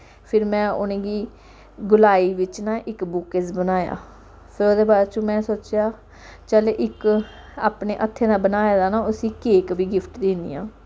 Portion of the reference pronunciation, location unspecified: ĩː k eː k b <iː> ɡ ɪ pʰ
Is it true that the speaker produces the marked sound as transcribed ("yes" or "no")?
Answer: yes